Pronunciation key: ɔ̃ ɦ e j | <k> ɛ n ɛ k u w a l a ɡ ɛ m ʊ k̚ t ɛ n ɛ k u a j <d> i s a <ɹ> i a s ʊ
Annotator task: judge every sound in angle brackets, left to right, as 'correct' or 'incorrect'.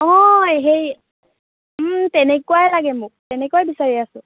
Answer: incorrect, incorrect, correct

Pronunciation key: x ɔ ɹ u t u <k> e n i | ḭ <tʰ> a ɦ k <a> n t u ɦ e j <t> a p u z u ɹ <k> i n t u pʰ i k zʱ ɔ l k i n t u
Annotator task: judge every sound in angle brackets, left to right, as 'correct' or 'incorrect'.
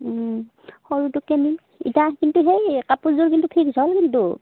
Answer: correct, incorrect, incorrect, incorrect, correct

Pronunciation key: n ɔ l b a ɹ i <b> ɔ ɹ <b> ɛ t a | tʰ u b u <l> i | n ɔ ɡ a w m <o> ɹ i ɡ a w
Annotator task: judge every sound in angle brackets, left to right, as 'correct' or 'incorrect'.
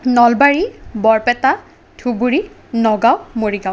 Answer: correct, incorrect, incorrect, correct

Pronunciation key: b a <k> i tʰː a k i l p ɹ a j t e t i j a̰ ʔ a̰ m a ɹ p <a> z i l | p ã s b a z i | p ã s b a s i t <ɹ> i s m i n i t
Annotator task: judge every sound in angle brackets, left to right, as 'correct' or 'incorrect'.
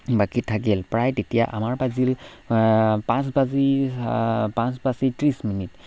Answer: correct, correct, correct

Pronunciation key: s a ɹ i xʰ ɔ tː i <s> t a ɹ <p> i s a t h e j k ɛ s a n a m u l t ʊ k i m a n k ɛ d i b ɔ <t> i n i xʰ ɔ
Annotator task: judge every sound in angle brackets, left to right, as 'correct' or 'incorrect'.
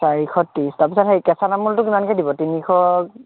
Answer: correct, correct, correct

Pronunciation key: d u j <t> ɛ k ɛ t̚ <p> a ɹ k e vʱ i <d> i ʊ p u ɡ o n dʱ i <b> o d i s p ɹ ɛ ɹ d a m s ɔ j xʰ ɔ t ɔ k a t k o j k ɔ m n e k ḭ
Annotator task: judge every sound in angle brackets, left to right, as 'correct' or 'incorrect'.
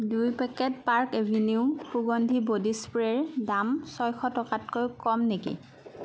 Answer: incorrect, correct, incorrect, correct

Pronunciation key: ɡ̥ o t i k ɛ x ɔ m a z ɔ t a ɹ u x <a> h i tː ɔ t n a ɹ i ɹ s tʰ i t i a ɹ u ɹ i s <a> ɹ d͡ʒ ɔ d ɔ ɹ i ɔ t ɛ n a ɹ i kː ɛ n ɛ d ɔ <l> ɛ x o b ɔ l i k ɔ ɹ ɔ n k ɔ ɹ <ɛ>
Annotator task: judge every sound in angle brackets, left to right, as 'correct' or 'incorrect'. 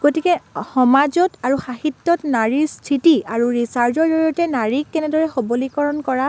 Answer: correct, correct, incorrect, incorrect

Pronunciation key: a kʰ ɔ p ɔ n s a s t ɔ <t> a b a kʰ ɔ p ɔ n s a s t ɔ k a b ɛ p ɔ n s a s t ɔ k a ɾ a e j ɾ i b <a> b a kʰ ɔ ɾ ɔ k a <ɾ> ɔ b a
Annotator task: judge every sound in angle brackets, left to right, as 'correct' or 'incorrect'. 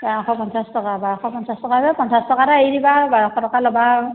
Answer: incorrect, correct, incorrect

